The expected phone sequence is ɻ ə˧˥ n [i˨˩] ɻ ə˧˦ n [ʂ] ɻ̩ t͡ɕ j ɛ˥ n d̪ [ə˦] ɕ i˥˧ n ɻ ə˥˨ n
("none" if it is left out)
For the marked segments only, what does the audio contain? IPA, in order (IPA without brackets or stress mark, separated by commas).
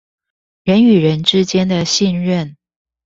y˨˩, ʈ͡ʂ, ə˨